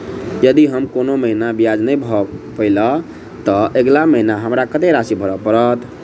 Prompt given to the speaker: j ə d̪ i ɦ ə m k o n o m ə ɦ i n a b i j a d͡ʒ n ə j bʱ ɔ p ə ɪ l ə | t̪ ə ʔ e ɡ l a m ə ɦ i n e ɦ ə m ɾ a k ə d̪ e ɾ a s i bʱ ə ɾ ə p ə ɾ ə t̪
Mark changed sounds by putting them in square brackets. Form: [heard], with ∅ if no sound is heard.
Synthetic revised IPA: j ə d̪ i ɦ ə m k o n o m ə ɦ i n a b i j a d͡ʒ n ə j bʱ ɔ p ə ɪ l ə | t̪ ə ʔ e ɡ l a m ə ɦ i n [a] ɦ ə m ɾ a k ə [t̪] e ɾ a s i bʱ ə ɾ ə p ə ɾ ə t̪

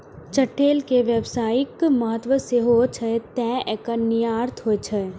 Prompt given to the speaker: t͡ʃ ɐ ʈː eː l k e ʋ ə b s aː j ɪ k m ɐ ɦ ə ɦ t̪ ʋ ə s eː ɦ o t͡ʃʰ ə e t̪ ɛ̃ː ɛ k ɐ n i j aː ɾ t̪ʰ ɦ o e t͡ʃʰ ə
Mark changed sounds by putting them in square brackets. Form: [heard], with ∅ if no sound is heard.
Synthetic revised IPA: t͡ʃ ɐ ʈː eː l k e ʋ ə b s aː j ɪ k m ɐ ɦ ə [∅] t̪ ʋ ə s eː ɦ o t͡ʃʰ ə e t̪ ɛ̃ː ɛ k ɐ n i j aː ɾ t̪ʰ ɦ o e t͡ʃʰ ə

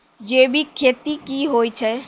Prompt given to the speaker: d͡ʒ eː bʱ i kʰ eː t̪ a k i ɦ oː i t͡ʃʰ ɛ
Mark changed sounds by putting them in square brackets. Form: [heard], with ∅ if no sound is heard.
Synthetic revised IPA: d͡ʒ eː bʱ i kʰ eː t̪ [i] k i ɦ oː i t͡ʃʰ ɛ

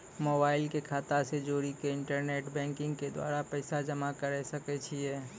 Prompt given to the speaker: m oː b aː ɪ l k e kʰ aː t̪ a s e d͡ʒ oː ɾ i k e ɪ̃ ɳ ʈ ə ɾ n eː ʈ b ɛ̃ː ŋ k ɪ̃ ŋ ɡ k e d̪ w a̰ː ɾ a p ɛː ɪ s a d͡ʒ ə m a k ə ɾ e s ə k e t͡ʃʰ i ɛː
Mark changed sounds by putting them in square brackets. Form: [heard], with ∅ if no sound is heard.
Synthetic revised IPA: m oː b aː ɪ l k e kʰ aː t̪ a s e d͡ʒ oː ɾ i k e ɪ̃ ɳ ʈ ə ɾ n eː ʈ b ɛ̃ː ŋ k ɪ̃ ŋ ɡ k e d̪ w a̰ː ɾ a p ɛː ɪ s a d͡ʒ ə m a k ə ɾ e s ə k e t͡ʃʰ i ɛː

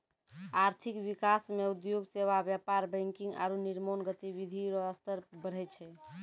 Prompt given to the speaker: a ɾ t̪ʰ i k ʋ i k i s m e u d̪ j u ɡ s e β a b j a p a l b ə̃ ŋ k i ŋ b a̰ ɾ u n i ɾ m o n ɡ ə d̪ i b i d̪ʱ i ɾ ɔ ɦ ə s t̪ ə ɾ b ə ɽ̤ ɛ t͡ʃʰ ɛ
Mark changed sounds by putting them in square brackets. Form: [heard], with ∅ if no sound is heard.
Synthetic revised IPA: a ɾ t̪ʰ i k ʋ i k [a] s m e u d̪ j [o] ɡ s e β a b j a p a [ɾ] b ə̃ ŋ k i ŋ [ɡ] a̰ ɾ u n i ɾ m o n ɡ ə [t̪] i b i d̪ʱ i ɾ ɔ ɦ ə s t̪ ə ɾ b ə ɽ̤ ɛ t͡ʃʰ ɛ

